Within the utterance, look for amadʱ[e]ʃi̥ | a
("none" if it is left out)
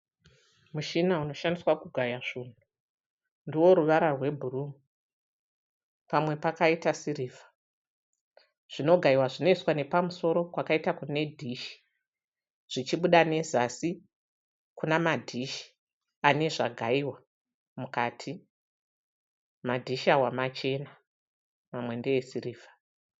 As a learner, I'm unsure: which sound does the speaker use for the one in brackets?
i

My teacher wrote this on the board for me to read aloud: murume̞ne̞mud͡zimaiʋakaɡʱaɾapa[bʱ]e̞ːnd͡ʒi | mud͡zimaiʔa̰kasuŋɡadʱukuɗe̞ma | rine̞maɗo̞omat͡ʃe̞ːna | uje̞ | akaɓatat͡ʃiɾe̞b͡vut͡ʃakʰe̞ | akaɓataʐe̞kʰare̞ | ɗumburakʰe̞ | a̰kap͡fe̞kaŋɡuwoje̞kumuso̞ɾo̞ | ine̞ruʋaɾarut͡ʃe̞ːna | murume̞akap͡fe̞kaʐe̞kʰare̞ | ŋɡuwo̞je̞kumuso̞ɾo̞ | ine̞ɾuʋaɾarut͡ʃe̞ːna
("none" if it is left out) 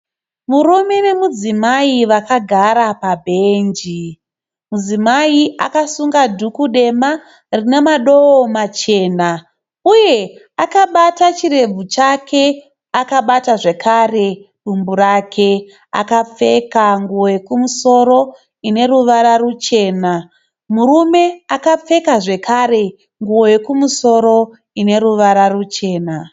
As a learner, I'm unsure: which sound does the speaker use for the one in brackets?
bʱ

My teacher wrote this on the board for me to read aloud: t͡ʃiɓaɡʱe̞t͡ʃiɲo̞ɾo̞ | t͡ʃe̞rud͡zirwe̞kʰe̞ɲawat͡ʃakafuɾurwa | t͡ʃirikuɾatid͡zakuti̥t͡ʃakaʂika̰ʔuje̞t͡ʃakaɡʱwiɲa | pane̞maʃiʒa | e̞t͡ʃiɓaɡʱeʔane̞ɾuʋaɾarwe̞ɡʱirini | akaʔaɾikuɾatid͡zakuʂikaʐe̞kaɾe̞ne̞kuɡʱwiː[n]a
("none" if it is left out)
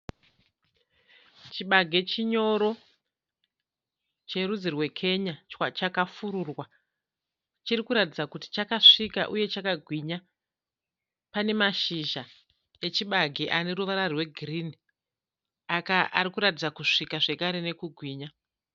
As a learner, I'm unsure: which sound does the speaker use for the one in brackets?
ɲ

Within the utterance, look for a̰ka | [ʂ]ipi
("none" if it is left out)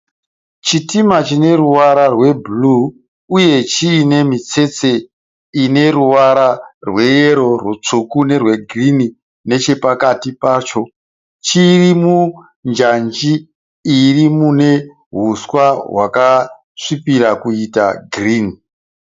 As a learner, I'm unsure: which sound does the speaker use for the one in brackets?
ʂ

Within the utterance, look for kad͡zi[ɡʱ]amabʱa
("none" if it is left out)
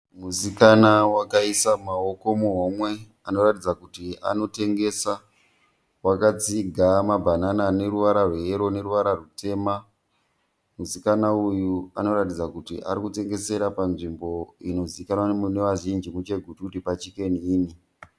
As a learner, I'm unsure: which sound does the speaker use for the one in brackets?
ɡʱ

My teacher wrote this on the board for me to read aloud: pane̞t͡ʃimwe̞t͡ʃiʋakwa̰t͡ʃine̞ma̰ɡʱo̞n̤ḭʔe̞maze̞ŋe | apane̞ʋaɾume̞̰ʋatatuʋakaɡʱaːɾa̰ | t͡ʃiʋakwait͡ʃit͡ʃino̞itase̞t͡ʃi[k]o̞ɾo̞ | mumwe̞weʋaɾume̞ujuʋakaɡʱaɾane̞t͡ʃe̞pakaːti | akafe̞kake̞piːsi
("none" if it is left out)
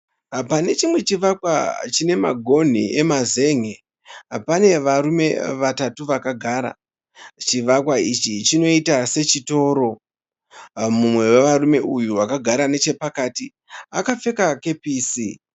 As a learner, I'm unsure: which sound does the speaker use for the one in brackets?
t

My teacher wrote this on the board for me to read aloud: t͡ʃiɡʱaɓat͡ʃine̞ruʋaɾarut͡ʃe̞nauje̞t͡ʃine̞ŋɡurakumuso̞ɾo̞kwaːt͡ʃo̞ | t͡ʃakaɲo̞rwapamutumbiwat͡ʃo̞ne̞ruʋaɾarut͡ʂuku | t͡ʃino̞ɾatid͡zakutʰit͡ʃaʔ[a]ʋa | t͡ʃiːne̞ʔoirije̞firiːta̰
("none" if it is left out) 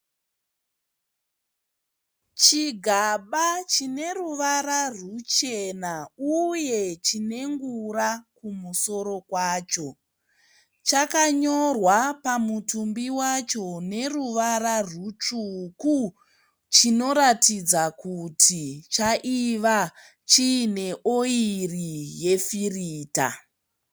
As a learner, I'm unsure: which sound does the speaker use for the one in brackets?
i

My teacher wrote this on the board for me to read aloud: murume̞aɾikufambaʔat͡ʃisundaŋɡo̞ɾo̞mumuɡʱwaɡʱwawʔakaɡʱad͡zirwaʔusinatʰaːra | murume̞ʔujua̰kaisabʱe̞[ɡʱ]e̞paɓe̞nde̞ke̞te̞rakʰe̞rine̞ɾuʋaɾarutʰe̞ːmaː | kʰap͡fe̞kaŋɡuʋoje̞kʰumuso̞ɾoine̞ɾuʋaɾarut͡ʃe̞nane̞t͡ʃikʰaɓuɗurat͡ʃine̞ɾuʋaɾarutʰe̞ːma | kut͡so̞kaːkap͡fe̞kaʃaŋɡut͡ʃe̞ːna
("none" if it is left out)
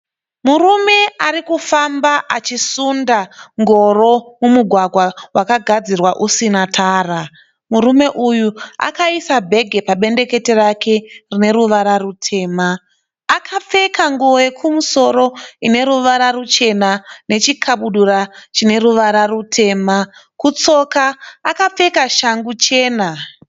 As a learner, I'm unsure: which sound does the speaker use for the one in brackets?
ɡʱ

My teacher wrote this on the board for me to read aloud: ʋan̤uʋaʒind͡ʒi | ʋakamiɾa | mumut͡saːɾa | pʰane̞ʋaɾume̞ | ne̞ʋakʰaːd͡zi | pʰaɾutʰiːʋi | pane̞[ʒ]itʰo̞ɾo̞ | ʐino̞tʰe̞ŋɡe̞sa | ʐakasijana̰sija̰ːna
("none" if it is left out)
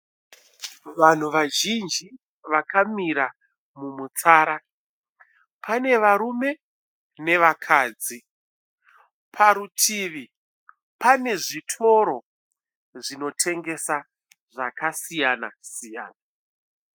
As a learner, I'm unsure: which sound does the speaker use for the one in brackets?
ʐ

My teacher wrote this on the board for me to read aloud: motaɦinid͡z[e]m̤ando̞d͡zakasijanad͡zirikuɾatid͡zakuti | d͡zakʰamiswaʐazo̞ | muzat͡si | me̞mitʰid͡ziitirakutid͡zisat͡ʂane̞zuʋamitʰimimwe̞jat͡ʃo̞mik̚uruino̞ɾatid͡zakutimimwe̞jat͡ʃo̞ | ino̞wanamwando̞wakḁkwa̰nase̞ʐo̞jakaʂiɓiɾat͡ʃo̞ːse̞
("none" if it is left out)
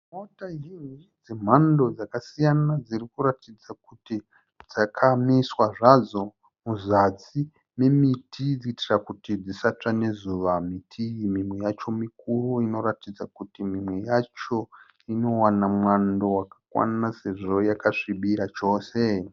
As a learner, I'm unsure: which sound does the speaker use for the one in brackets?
e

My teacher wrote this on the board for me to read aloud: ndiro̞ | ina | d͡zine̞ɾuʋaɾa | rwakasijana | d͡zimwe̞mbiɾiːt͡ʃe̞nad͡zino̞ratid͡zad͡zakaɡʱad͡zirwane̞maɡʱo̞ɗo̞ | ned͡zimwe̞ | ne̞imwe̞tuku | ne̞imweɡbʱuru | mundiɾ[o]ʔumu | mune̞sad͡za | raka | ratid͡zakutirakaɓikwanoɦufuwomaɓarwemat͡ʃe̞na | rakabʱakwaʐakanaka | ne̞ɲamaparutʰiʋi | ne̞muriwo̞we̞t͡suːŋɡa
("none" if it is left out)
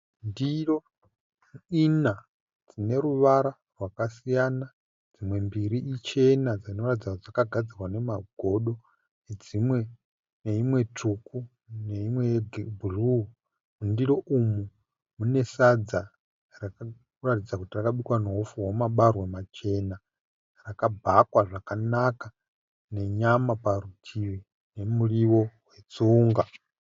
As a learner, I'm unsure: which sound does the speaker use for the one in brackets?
o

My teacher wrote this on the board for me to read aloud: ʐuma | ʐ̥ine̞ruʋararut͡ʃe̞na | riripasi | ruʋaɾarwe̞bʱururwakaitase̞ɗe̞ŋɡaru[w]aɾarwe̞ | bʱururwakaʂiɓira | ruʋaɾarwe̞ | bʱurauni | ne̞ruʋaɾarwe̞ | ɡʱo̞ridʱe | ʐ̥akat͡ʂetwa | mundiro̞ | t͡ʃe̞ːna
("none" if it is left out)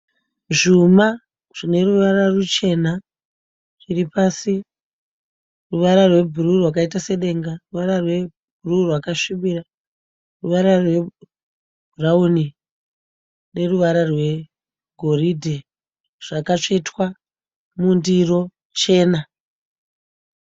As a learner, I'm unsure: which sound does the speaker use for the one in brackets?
ʋ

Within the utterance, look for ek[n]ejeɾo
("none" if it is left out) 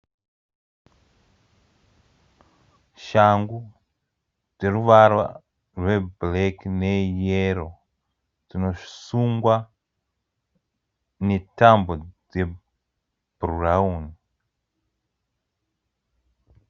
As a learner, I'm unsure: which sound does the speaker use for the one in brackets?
n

